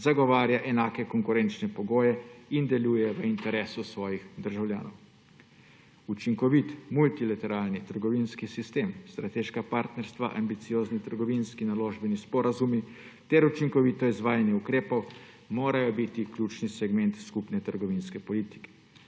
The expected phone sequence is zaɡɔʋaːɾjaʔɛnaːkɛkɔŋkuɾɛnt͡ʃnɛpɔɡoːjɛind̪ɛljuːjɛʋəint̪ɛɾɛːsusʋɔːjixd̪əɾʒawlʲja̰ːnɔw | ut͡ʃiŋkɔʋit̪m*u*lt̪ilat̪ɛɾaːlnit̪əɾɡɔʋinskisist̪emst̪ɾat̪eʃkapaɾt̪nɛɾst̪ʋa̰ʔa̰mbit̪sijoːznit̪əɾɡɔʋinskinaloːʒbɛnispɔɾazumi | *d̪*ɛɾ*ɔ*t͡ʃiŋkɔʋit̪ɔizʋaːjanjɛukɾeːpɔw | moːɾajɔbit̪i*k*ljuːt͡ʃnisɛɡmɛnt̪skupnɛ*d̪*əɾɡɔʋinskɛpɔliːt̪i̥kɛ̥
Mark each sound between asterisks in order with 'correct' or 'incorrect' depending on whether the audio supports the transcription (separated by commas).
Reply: correct, incorrect, incorrect, correct, incorrect